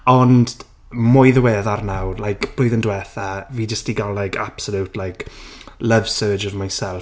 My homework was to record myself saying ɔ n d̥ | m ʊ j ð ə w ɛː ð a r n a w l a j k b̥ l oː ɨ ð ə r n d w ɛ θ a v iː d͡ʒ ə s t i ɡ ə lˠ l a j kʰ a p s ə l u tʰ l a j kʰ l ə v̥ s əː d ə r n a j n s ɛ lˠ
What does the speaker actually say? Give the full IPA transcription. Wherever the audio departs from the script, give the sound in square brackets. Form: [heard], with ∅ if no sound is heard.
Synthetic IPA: ɔ n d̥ | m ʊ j ð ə w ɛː ð a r n a w l a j k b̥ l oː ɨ ð ə [∅] n d w ɛ θ a v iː d͡ʒ ə s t i ɡ [a] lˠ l a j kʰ a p s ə l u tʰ l a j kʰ l ə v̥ s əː [d͡ʒ] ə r [m] a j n s ɛ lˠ